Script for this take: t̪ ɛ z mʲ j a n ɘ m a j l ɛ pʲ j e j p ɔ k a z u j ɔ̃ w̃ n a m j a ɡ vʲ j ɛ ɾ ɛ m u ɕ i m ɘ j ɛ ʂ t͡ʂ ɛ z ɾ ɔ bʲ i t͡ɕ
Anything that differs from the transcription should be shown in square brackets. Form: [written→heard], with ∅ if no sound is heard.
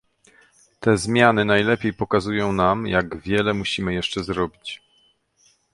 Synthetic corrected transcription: t̪ ɛ z mʲ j a n ɘ [m→n] a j l ɛ pʲ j e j p ɔ k a z u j ɔ̃ w̃ n a m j a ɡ vʲ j ɛ [ɾ→l] ɛ m u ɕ i m ɘ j ɛ ʂ t͡ʂ ɛ z ɾ ɔ bʲ i t͡ɕ